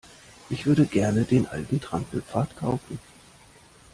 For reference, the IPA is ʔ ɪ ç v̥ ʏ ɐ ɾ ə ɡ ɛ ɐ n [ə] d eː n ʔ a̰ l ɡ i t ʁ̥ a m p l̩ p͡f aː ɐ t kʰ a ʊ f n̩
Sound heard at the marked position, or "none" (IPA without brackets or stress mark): ə